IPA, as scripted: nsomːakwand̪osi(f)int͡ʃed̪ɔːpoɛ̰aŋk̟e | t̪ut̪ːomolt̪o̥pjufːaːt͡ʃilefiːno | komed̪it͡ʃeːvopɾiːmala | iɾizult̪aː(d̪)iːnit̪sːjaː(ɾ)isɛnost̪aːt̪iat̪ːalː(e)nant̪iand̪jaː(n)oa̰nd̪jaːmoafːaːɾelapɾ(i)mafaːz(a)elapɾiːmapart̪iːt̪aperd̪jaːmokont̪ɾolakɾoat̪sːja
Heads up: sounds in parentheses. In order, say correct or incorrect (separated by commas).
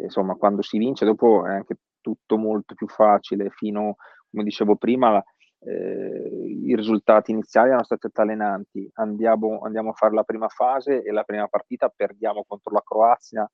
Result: incorrect, incorrect, incorrect, correct, incorrect, incorrect, incorrect